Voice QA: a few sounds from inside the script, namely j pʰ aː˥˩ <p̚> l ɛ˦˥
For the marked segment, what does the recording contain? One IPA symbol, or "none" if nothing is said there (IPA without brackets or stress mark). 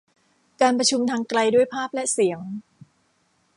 p̚